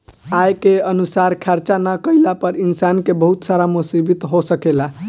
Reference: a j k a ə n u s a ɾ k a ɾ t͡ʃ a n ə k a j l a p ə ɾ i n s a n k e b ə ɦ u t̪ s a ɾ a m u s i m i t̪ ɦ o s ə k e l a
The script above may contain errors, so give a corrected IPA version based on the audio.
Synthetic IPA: a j k e ə n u s a ɾ kʰ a ɾ t͡ʃ a n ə k ə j l a p ə ɾ i n s a n k e b ə ɦ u t̪ s a ɾ a m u s i b i t̪ ɦ o s ə k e l a